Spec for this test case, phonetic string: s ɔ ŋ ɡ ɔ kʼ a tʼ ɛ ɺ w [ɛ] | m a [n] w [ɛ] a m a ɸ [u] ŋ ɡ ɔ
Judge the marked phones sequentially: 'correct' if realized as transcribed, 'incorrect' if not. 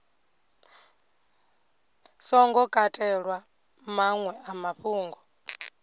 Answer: incorrect, incorrect, correct, incorrect

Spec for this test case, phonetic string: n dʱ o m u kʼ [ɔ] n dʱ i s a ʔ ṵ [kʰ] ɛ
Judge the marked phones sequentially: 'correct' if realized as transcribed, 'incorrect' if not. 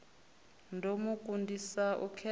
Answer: incorrect, correct

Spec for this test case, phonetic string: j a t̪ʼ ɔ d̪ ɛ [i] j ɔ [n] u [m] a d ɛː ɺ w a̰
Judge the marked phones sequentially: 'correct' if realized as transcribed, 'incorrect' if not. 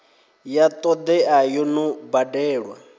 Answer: incorrect, correct, incorrect

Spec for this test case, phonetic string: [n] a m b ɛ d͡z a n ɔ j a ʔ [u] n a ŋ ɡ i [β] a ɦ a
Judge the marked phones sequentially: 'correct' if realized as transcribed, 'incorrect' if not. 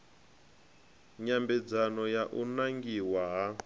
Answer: incorrect, correct, incorrect

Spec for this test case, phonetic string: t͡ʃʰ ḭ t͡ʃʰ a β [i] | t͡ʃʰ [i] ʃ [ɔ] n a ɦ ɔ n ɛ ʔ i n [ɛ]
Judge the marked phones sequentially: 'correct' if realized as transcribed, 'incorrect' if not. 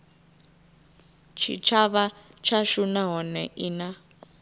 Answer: incorrect, incorrect, incorrect, incorrect

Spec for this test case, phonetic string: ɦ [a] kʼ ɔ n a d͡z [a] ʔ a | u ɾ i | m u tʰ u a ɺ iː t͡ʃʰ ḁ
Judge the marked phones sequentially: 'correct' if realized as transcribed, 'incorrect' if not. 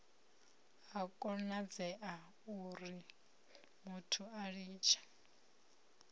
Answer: correct, incorrect

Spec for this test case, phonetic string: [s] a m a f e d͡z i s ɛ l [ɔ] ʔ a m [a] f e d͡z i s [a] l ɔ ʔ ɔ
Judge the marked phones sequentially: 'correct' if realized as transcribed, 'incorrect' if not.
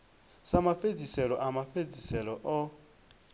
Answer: correct, correct, correct, incorrect

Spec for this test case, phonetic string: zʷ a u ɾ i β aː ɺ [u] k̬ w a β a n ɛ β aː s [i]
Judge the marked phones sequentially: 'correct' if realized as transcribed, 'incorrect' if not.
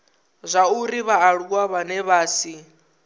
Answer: correct, correct

